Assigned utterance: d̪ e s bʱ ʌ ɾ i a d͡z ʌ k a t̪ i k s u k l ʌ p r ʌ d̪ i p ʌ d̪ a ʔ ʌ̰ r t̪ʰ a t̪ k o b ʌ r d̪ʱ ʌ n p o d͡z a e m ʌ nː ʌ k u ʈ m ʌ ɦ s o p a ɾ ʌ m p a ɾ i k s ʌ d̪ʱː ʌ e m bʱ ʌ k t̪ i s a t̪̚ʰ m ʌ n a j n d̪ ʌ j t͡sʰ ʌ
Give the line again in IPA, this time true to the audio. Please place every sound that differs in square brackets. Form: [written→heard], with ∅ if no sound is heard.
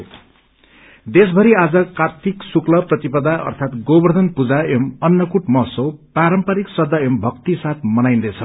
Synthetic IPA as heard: d̪ e s bʱ ʌ ɾ i a d͡z ʌ k a t̪ i k s u k l ʌ p r ʌ [d̪→t̪] i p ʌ d̪ a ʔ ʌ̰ r t̪ʰ a t̪ [k→ɡ] o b ʌ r d̪ʱ ʌ n p [o→u] d͡z a e m ʌ nː ʌ k u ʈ m ʌ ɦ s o p a ɾ ʌ m p a ɾ i k s ʌ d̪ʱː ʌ e m bʱ ʌ k t̪ i s a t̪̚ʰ m ʌ n a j n d̪ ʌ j t͡sʰ ʌ